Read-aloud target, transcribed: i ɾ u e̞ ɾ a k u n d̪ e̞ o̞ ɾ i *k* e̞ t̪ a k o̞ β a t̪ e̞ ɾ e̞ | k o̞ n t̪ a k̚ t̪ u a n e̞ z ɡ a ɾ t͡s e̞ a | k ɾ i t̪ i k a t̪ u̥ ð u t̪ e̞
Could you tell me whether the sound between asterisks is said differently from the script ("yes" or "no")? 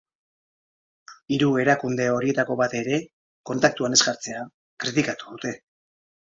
yes